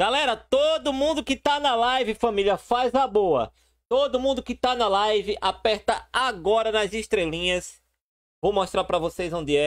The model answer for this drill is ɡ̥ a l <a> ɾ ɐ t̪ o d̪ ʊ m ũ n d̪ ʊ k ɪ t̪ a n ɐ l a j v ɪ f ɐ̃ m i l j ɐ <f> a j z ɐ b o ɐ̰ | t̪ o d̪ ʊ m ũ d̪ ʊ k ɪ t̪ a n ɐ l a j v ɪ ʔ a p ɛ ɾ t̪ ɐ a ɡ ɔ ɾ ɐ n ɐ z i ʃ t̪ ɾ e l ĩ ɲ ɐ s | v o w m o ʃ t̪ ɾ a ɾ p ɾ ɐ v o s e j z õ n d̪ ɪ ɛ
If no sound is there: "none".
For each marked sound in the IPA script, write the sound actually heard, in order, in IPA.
ɛ, f

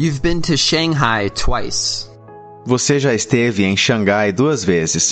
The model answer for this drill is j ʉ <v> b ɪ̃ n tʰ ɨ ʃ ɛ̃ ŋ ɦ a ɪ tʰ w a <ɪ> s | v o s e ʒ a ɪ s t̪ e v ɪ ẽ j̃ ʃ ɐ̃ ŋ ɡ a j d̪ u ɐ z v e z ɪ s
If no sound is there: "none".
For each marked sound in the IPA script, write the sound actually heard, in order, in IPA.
v, ɪ

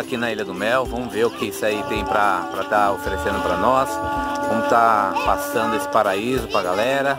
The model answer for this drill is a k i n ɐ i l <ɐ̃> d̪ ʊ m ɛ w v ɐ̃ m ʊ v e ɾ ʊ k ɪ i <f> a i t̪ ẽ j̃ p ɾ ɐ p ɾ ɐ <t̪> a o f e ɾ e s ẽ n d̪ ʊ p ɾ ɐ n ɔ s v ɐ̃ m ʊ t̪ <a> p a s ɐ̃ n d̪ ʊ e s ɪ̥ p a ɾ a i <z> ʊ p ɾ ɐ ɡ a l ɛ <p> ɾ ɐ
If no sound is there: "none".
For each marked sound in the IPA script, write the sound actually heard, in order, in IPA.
ɐ, s, t̪, a, z, none

